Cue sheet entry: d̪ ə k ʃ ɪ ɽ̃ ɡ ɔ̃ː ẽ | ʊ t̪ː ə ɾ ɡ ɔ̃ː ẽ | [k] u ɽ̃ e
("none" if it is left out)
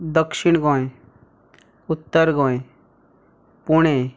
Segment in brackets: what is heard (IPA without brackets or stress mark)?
p